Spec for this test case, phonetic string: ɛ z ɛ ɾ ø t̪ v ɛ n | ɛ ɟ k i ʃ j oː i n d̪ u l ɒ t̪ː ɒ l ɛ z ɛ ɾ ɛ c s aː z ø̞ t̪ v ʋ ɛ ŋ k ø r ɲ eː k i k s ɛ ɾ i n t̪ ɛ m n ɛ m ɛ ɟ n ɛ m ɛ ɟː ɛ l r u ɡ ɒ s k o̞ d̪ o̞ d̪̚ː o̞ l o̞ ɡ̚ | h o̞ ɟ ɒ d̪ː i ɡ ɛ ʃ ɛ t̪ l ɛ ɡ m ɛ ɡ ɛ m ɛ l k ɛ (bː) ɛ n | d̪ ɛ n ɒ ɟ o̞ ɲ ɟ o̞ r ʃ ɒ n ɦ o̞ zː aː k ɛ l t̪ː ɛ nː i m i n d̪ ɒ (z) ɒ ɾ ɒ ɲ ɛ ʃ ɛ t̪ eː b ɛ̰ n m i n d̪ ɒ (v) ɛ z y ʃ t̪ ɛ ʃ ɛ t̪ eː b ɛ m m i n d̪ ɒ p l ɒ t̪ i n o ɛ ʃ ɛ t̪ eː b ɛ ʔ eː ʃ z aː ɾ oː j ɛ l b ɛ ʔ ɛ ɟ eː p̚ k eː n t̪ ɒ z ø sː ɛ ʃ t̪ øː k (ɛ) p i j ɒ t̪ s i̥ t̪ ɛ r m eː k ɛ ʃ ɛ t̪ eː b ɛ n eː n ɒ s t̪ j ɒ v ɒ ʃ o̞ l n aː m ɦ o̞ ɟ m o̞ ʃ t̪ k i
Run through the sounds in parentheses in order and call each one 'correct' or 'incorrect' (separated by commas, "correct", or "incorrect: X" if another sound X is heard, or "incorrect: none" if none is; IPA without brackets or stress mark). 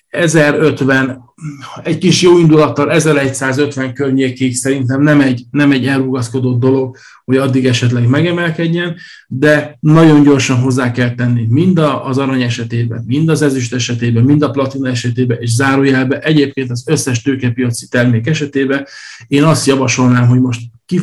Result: incorrect: ɟː, correct, incorrect: z, correct